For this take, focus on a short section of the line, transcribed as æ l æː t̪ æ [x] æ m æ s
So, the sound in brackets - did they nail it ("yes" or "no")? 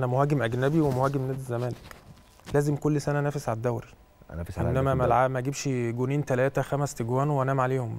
yes